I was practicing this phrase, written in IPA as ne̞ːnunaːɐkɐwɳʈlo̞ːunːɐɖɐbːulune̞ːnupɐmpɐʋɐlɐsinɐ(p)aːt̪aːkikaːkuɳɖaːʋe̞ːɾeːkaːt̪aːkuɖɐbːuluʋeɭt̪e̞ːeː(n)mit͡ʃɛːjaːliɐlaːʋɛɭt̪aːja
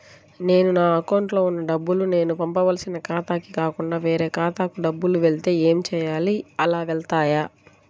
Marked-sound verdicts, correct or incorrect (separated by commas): incorrect, incorrect